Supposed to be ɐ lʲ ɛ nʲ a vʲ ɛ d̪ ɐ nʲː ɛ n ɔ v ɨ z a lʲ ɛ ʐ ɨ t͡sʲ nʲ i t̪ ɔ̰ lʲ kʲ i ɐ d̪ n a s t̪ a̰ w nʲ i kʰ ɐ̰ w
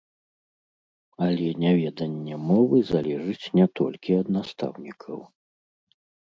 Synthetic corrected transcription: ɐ lʲ ɛ nʲ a vʲ ɛ d̪ ɐ nʲː ɛ m ɔ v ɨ z a lʲ ɛ ʐ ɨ t͡sʲ nʲ ɛ t̪ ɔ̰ lʲ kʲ i ɐ d̪ n a s t̪ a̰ w nʲ i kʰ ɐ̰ w